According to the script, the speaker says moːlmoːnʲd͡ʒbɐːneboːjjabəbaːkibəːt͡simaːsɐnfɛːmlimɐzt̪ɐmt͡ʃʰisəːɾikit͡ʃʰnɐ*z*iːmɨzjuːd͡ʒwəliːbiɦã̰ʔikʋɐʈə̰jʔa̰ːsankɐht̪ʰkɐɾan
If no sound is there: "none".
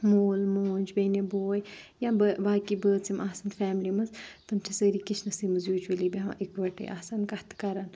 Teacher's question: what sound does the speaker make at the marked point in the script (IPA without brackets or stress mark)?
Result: s